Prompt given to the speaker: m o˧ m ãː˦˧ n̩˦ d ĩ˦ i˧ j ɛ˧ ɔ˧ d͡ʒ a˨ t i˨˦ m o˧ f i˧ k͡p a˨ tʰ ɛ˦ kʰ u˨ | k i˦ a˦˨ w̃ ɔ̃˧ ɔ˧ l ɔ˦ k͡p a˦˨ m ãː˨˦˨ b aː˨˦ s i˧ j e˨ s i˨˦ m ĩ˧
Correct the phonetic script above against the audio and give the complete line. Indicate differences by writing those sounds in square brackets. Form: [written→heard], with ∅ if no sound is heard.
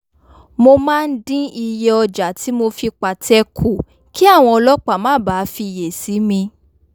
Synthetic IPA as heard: m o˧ m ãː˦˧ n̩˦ d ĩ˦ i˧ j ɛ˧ ɔ˧ d͡ʒ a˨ t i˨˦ m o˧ f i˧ k͡p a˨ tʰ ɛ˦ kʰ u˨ | k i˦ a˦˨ w̃ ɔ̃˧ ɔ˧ l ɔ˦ k͡p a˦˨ m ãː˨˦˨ b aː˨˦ [s→f] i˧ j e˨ s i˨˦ m ĩ˧